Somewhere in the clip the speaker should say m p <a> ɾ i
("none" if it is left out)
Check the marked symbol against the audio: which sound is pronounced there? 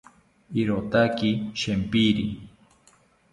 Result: i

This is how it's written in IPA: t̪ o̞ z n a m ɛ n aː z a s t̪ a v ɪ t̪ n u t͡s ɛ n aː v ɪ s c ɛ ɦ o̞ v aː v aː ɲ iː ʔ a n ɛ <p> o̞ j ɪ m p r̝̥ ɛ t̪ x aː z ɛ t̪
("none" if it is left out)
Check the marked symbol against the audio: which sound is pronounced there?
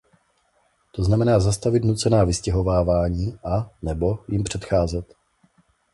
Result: b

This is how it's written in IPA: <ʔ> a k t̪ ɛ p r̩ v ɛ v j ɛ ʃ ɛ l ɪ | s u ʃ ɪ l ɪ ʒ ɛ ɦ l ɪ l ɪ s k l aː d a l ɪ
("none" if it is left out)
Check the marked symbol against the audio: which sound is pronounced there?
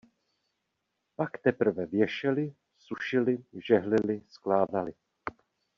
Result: p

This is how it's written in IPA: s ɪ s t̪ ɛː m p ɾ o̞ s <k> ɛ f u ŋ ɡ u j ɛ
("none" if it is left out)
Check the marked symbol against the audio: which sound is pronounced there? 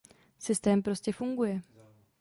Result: c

